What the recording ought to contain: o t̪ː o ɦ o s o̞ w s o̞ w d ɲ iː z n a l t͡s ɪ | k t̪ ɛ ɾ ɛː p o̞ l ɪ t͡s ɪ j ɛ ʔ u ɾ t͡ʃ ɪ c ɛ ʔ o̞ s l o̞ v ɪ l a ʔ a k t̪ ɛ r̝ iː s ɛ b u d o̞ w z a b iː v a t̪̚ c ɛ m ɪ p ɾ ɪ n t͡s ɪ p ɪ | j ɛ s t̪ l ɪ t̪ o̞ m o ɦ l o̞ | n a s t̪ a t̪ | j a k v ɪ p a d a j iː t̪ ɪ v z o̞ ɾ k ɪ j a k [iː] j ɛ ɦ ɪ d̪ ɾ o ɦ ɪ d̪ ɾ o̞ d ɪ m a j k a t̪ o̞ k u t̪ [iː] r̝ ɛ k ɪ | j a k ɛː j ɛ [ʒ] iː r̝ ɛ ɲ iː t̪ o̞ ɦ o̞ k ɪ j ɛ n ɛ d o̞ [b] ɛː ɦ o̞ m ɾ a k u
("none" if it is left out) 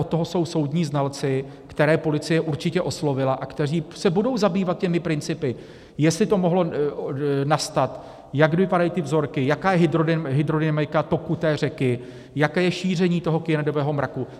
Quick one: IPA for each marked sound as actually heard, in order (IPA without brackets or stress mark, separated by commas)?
aː, ɛː, ʃ, v